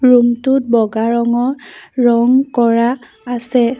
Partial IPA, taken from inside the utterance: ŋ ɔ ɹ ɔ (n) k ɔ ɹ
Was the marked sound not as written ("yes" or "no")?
yes